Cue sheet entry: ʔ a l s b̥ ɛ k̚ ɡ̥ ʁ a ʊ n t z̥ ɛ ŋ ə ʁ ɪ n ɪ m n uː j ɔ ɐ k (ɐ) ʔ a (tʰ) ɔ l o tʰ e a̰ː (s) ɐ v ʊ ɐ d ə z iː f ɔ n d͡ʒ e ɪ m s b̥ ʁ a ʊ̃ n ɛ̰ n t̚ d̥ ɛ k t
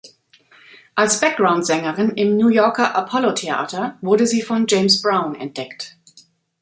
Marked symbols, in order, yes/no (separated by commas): yes, no, no